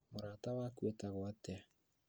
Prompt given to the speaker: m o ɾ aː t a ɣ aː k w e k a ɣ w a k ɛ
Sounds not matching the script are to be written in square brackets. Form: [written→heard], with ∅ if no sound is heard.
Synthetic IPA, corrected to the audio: m o ɾ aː t a [ɣ→w] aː k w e [k→t] a ɣ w a [k→t] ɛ